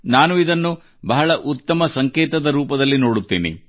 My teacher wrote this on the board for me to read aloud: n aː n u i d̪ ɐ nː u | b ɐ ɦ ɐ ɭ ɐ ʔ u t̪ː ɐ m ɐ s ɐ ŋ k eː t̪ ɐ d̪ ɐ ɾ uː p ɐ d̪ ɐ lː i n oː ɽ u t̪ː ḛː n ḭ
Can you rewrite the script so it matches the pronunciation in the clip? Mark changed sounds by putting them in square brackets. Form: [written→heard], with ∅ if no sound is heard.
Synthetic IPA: n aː n u i d̪ ɐ nː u | b ɐ ɦ ɐ ɭ ɐ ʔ u t̪ː ɐ m ɐ s ɐ ŋ k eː t̪ ɐ d̪ ɐ ɾ uː p ɐ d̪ ɐ lː i n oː ɽ u t̪ː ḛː n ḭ

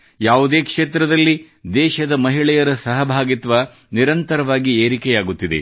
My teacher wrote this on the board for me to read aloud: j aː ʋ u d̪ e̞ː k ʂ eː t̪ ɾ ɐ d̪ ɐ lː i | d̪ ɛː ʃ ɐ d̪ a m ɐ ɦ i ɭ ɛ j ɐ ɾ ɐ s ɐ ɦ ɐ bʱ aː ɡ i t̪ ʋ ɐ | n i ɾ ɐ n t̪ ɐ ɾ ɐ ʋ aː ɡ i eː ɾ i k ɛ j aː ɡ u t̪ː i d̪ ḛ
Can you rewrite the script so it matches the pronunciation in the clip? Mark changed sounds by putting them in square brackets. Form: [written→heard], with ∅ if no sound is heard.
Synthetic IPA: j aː ʋ u d̪ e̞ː k ʂ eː t̪ ɾ ɐ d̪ ɐ lː i | d̪ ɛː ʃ ɐ d̪ [a→ɐ] m ɐ ɦ i ɭ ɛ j ɐ ɾ ɐ s ɐ ɦ ɐ bʱ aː ɡ i t̪ ʋ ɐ | n i ɾ ɐ n t̪ ɐ ɾ ɐ ʋ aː ɡ i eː ɾ i k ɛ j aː ɡ u t̪ː i d̪ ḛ

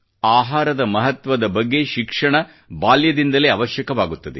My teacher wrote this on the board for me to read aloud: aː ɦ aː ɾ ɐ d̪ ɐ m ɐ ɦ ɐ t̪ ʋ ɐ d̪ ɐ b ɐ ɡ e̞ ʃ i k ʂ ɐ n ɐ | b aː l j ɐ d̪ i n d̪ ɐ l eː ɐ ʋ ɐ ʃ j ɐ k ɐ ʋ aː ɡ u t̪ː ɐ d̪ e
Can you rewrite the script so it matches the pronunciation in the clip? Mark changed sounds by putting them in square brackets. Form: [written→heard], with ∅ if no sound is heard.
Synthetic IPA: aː ɦ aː ɾ ɐ d̪ ɐ m ɐ ɦ ɐ t̪ ʋ ɐ d̪ ɐ b ɐ [ɡ→ɡː] e̞ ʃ i k ʂ ɐ [n→ɳ] ɐ | b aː l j ɐ d̪ i n d̪ ɐ l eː ɐ ʋ ɐ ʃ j ɐ k ɐ ʋ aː ɡ u t̪ː ɐ d̪ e

